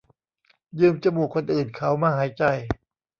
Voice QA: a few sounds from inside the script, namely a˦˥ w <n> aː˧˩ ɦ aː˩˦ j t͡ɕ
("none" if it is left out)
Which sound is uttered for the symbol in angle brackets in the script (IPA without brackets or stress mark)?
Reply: m